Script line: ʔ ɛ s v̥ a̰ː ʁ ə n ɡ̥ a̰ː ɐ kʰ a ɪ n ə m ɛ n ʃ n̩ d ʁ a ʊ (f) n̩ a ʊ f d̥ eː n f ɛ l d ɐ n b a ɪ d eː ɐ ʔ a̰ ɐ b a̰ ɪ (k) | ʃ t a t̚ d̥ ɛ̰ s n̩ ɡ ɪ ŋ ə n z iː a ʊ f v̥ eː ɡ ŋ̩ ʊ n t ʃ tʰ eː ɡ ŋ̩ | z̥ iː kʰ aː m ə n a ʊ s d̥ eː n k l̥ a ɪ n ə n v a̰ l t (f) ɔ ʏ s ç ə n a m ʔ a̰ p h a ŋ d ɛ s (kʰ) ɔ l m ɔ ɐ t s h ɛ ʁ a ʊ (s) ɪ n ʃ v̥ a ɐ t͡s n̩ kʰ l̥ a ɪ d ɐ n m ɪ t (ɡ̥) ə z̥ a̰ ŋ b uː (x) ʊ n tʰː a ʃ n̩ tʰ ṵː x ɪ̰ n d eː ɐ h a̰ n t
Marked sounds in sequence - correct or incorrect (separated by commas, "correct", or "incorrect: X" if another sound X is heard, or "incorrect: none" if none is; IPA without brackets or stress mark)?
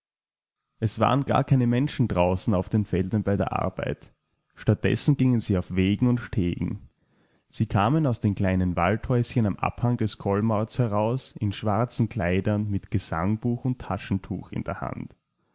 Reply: incorrect: s, incorrect: t, incorrect: h, correct, correct, correct, correct